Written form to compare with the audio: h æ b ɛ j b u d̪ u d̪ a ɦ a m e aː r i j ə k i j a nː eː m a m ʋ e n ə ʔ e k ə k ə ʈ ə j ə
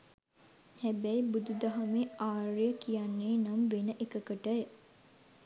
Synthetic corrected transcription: h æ b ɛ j b u d̪ u d̪ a ɦ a m e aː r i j ə k i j a nː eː n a m ʋ e n ə ʔ e k ə k ə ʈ ə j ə